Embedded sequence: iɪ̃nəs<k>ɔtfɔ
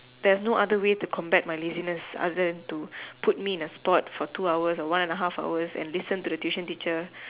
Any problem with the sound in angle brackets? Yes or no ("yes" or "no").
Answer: yes